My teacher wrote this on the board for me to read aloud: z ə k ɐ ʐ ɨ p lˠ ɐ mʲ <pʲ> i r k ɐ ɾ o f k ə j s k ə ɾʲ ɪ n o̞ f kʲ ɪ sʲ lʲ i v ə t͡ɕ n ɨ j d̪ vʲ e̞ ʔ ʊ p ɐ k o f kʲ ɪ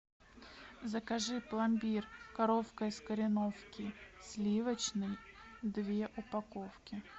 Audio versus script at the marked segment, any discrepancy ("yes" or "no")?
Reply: yes